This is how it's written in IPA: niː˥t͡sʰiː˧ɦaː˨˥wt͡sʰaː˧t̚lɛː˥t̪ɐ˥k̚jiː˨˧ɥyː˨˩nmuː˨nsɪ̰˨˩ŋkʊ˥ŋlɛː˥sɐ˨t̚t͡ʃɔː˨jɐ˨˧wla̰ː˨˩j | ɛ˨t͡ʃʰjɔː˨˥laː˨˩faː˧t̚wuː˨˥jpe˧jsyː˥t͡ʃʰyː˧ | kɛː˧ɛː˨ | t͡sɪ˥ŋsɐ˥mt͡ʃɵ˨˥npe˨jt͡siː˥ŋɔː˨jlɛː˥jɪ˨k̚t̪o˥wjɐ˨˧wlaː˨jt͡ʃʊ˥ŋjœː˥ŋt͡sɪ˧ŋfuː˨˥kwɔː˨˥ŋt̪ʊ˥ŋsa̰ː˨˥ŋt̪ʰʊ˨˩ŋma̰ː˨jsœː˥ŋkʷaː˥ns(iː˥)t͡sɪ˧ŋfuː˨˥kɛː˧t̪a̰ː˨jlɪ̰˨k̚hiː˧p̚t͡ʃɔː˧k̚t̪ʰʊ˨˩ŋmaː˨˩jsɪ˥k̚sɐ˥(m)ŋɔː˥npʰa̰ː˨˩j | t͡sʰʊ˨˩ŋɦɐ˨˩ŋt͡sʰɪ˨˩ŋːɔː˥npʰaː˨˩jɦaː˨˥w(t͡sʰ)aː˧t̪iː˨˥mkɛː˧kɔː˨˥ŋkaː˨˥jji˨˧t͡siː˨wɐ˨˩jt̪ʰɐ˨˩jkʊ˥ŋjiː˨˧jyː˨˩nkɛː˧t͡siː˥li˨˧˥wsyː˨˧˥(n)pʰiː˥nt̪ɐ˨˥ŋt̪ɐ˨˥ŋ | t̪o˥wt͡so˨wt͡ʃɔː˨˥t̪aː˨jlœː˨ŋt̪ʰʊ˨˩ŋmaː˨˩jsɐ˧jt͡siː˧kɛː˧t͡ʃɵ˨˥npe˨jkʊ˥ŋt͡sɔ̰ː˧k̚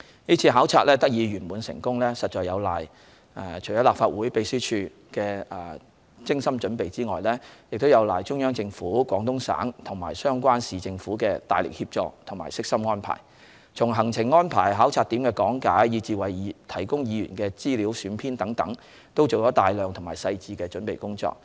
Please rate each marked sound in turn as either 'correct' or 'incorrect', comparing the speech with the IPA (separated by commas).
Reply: incorrect, correct, correct, correct